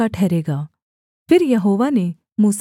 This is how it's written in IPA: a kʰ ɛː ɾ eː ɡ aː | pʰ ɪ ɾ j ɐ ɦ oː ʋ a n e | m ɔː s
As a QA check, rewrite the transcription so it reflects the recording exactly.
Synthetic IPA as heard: a ʈʰ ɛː ɾ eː ɡ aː | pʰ ɪ ɾ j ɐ ɦ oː ʋ a n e | m uː s